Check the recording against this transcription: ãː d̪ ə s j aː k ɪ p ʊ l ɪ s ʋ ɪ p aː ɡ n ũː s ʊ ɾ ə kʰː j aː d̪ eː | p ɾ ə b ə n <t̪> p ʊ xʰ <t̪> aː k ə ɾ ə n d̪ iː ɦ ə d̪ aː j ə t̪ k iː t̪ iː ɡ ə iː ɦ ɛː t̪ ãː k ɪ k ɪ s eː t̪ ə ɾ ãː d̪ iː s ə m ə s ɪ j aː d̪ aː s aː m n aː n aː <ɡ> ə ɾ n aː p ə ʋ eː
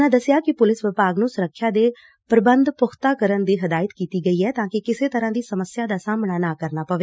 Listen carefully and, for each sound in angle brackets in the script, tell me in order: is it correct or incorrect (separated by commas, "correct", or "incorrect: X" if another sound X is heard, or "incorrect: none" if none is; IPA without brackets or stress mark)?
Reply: incorrect: d̪, correct, incorrect: k